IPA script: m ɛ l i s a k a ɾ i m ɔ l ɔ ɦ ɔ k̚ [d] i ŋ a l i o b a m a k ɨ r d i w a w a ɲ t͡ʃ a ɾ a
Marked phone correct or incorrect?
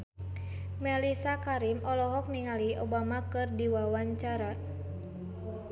incorrect